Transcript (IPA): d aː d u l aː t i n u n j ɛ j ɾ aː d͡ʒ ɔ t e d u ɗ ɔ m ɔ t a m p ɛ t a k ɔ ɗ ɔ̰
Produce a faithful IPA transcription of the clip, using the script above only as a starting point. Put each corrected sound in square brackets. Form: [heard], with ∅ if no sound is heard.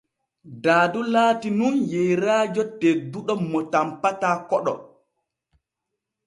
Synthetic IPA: d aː d u l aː t i n u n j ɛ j ɾ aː d͡ʒ ɔ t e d u ɗ ɔ m ɔ t a m p [a] t a k ɔ ɗ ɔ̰